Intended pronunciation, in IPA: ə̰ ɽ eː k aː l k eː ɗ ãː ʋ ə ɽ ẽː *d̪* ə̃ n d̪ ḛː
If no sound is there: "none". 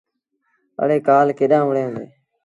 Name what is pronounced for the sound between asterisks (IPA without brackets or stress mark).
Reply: none